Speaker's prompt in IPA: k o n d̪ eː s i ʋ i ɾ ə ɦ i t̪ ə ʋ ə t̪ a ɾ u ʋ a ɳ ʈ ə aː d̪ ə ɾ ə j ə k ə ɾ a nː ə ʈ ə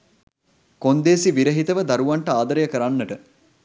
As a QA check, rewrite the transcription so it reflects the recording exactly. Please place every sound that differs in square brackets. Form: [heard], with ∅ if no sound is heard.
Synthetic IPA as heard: k o n d̪ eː s i ʋ i ɾ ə ɦ i t̪ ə ʋ ə [d̪] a ɾ u ʋ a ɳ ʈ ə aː d̪ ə ɾ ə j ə k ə ɾ a nː ə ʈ ə